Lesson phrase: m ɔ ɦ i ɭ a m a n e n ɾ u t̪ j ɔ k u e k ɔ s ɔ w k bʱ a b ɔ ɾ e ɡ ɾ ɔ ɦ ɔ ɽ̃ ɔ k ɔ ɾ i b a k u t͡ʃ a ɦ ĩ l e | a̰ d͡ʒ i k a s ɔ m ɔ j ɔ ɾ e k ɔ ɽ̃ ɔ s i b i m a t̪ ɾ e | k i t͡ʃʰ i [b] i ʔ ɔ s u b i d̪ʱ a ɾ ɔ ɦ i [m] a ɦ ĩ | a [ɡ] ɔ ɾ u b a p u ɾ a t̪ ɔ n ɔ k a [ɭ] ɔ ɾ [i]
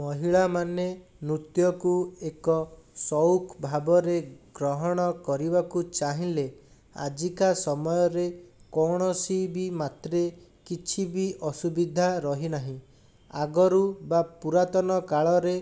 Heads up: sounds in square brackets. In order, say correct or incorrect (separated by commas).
correct, incorrect, correct, correct, incorrect